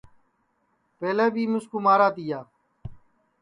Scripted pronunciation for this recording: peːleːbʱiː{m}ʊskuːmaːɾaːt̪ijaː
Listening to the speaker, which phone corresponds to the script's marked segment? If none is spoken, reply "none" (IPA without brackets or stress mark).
m